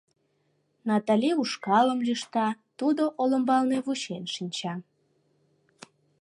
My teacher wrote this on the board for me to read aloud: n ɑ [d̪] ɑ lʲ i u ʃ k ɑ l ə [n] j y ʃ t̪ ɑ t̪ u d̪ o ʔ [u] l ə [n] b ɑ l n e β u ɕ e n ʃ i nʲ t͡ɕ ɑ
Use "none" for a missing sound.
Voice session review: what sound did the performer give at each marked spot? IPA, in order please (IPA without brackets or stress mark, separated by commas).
t̪, m, o, m